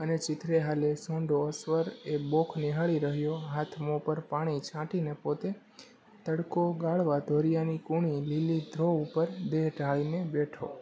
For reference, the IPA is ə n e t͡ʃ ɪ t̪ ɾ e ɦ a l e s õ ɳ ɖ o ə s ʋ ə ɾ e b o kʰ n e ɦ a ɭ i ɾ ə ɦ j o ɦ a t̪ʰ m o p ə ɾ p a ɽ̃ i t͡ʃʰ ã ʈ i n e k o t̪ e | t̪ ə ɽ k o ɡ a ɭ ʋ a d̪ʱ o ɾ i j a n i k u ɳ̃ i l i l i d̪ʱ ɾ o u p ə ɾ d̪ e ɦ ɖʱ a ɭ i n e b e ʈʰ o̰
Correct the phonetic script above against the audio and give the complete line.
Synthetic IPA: ə n e t͡ʃ ɪ t̪ ɾ e ɦ a l e s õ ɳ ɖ o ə s ʋ ə ɾ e b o kʰ n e ɦ a ɭ i ɾ ə ɦ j o ɦ a t̪ʰ m o p ə ɾ p a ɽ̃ i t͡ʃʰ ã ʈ i n e p o t̪ e | t̪ ə ɽ k o ɡ a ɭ ʋ a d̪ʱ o ɾ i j a n i k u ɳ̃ i l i l i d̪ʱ ɾ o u p ə ɾ d̪ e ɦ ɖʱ a ɭ i n e b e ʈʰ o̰